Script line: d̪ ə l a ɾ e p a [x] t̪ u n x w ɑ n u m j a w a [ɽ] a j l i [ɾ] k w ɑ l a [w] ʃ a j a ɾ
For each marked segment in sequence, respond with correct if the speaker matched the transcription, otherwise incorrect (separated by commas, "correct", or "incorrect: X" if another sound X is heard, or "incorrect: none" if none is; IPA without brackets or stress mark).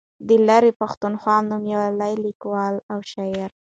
correct, incorrect: l, incorrect: none, correct